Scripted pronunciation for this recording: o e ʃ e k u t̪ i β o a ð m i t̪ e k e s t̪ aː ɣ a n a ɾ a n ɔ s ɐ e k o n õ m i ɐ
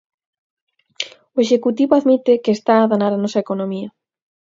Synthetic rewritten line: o e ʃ e k u t̪ i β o a ð m i t̪ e k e s t̪ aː ð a n a ɾ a n ɔ s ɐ e k o n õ m i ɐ

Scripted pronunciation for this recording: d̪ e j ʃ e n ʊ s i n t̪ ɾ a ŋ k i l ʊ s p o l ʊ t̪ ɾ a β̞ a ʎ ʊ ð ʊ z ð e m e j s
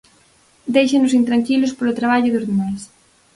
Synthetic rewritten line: d̪ e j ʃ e n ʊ s i n t̪ ɾ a ŋ k i l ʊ s p o l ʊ t̪ ɾ a β̞ a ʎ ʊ ð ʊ z ð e m a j s

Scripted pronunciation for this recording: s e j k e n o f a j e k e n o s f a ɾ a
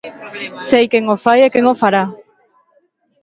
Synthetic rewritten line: s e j k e ŋ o f a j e k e ŋ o f a ɾ a

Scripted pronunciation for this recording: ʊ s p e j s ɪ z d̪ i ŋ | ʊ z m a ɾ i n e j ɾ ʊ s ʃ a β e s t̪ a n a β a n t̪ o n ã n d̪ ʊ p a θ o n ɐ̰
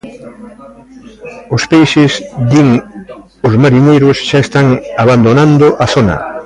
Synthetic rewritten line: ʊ s p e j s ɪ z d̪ i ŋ | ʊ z m a ɾ i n e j ɾ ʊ s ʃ a e s t̪ a ŋ a β a n d̪ o n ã n d̪ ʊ ʔ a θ o n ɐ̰

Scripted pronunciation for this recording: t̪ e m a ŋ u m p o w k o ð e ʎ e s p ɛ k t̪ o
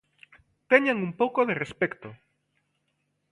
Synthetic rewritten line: t̪ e ɲ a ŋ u m p o w k o ð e r e s p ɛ k t̪ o

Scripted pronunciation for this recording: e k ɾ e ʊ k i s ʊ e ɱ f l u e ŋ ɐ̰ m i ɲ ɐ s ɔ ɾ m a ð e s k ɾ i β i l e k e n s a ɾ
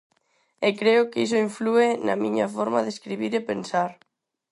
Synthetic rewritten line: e k ɾ e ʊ k i s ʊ i ɱ f l u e n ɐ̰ m i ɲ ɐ f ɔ ɾ m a ð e s k ɾ i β i ɾ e p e n s a ɾ

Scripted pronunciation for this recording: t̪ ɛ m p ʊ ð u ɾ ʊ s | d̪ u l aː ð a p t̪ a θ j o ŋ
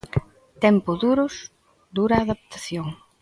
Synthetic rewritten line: t̪ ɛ m p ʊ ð u ɾ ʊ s | d̪ u ɾ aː ð a p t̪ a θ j o ŋ

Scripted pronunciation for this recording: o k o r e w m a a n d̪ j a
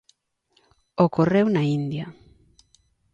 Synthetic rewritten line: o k o r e w n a i n d̪ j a

